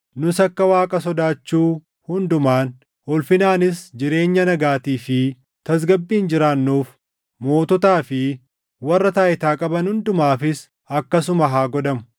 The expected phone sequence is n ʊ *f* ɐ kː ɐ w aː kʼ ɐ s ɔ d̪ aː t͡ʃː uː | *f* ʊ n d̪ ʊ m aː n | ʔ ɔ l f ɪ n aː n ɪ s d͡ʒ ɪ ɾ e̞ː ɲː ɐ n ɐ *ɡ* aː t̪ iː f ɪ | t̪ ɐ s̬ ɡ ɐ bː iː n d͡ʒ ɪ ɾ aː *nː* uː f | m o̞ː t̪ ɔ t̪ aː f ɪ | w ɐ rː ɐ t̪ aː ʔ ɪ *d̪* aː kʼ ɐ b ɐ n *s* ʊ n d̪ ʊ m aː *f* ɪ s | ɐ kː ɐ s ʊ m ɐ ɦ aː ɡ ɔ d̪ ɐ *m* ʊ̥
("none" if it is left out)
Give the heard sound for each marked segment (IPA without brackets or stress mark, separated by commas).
s, h, ɡ, nː, t̪, h, f, m